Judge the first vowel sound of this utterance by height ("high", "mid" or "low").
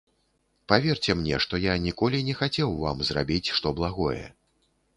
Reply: low